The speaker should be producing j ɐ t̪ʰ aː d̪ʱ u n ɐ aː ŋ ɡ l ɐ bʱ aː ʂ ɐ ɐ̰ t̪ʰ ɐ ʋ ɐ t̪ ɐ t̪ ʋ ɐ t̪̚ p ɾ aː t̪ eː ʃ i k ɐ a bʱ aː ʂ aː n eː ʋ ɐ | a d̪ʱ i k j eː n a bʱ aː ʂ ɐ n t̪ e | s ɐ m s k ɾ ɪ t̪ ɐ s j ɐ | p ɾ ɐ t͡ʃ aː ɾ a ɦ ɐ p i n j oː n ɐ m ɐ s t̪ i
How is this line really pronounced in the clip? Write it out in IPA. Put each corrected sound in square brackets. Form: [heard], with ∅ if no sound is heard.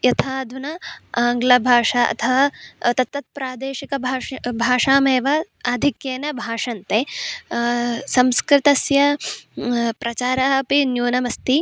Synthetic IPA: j ɐ t̪ʰ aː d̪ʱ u n ɐ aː ŋ ɡ l ɐ bʱ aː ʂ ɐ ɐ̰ t̪ʰ ɐ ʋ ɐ t̪ ɐ t̪ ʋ ɐ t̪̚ p ɾ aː [d̪] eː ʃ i k ɐ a bʱ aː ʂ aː [m] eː ʋ ɐ | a d̪ʱ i k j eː n [ɐ] bʱ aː ʂ ɐ n t̪ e | s ɐ m s k ɾ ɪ t̪ ɐ s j ɐ | p ɾ ɐ t͡ʃ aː ɾ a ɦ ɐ p i n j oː n ɐ m ɐ s t̪ i